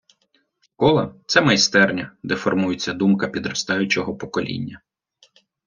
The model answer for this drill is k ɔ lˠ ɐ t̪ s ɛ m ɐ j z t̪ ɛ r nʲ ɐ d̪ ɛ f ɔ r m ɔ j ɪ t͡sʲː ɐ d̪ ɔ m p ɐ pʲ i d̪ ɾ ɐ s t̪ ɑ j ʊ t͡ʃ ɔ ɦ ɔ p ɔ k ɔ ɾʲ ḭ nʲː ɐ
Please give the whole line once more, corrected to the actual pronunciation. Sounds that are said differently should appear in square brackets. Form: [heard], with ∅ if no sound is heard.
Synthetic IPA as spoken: k ɔ lˠ ɐ t̪ s ɛ m ɐ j [s] t̪ ɛ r nʲ ɐ d̪ ɛ f ɔ r m [u] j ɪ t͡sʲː ɐ d̪ [u] m [k] ɐ pʲ i d̪ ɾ ɐ s t̪ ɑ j ʊ t͡ʃ ɔ ɦ ɔ p ɔ k ɔ [lʲ] ḭ nʲː ɐ